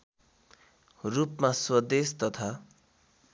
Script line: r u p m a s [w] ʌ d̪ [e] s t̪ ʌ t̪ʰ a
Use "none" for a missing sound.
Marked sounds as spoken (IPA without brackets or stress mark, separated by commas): w, e